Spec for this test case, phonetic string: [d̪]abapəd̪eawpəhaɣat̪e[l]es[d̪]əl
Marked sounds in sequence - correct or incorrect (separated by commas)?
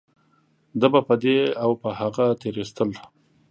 correct, incorrect, incorrect